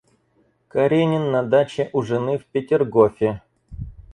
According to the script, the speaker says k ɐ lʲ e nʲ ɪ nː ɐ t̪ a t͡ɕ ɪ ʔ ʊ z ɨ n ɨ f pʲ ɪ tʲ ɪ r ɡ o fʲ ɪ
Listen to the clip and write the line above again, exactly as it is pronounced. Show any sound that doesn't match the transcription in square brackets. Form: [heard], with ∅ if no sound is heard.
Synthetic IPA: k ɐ [ɾʲ] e nʲ ɪ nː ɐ [d̪] a t͡ɕ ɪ ʔ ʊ [ʐ] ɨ n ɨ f pʲ ɪ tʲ ɪ r ɡ o fʲ ɪ